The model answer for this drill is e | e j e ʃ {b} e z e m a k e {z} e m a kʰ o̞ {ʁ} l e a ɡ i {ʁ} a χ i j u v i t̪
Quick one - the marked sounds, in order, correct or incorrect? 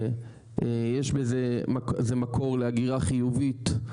correct, correct, correct, correct

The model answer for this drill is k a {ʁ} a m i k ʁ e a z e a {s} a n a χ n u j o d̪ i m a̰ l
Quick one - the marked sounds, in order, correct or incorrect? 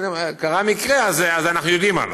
correct, incorrect: z

